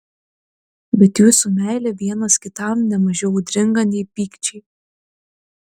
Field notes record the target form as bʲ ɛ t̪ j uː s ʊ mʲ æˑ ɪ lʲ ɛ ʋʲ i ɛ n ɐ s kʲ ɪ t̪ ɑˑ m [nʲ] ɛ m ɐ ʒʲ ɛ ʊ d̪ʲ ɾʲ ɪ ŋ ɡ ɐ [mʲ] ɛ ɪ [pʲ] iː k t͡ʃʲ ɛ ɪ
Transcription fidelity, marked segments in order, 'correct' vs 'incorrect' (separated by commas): correct, incorrect, correct